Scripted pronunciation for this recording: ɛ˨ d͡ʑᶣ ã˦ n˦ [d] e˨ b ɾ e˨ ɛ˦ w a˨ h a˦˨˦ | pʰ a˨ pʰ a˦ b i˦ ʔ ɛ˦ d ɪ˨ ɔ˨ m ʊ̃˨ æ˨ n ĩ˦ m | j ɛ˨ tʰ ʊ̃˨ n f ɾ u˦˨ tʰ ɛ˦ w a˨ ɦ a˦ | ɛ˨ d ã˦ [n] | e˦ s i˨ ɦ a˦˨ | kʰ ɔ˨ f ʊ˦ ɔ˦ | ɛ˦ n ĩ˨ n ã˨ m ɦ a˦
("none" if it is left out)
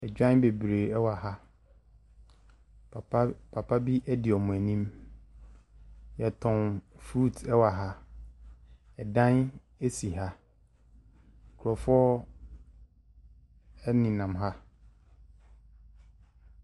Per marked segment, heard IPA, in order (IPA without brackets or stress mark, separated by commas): b, n